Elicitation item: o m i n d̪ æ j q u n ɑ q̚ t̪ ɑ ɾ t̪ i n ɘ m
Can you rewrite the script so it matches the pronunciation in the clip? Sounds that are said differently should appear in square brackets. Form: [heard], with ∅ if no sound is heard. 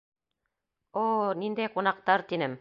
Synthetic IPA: o [n] i n d̪ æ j q u n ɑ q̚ t̪ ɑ ɾ t̪ i n ɘ m